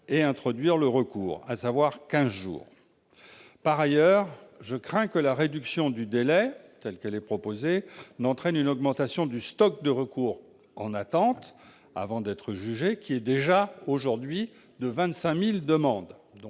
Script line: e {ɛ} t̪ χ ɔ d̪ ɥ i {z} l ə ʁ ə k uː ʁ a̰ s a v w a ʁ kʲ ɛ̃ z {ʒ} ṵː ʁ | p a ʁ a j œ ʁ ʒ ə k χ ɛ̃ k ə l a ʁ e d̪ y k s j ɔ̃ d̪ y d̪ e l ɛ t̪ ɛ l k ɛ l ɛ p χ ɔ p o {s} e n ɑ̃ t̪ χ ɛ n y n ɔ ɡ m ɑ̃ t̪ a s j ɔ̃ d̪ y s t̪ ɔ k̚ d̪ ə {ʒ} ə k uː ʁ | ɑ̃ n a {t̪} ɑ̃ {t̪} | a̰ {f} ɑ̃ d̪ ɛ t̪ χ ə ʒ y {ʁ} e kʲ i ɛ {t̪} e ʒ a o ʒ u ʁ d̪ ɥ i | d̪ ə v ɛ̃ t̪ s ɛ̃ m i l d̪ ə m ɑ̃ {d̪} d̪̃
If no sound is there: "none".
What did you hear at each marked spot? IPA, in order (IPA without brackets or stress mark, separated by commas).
ɛ̃, ʁ, ʒ, z, ʁ, t̪, t̪, v, ʒ, d̪, d̪